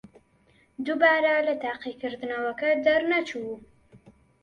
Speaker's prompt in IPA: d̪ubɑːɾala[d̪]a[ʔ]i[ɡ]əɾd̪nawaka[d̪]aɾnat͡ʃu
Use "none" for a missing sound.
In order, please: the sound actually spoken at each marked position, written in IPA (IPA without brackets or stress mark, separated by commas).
t̪, q, k, d̪